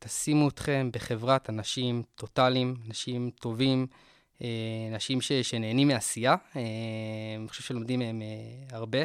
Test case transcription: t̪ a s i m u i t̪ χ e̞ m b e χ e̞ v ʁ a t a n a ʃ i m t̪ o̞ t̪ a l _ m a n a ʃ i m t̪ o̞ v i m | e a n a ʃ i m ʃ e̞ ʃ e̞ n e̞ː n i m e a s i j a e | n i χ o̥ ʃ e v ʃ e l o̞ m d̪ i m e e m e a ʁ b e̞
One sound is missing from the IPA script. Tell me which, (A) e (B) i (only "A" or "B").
B